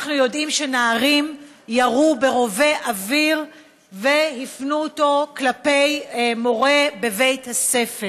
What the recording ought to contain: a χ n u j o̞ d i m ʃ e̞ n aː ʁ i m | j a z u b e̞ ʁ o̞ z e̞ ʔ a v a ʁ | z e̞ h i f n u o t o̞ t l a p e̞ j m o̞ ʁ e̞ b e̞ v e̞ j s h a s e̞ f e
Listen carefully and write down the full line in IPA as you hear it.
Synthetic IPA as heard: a χ n u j o̞ d i m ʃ e̞ n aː ʁ i m | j a ʁ u b e̞ ʁ o̞ v e̞ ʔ a v i ʁ | v e̞ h i f n u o t o̞ k l a p e̞ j m o̞ ʁ e̞ b e̞ v e̞ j t h a s e̞ f e